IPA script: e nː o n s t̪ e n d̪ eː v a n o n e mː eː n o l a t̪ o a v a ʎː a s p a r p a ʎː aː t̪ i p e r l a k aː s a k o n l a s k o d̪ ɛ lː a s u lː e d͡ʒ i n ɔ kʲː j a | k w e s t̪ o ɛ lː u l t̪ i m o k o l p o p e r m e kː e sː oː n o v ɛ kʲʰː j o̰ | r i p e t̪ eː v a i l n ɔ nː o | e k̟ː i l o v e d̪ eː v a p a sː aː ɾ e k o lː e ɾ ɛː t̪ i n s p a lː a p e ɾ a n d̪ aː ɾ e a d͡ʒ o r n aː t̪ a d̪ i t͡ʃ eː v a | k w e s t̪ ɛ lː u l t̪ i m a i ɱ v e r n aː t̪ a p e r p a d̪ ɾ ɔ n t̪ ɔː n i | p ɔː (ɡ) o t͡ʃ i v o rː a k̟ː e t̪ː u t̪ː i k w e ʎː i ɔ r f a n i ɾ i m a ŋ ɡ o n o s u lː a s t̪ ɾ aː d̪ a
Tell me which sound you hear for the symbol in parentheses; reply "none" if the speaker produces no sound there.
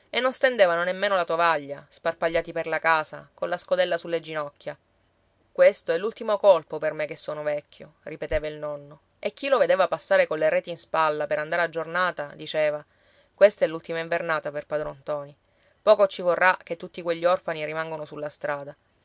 k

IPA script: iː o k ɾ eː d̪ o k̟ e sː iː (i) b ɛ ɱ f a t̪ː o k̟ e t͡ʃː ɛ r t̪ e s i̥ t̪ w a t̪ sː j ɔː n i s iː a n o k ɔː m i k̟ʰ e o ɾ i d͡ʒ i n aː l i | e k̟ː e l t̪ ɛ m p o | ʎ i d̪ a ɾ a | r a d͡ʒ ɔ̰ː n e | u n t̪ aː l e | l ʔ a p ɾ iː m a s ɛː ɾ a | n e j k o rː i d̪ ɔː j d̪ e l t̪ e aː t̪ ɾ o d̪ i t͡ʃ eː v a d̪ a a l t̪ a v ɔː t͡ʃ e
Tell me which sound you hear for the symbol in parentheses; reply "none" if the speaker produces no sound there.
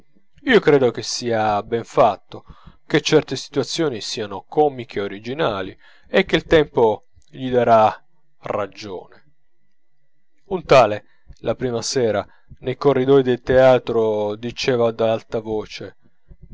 a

